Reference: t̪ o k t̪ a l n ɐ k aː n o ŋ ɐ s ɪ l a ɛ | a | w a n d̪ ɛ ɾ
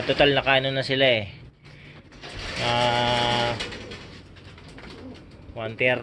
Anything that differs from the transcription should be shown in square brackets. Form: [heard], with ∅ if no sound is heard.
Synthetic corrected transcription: t̪ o [∅] t̪ a l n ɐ k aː n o [n] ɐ s ɪ l a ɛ | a | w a n [t̪] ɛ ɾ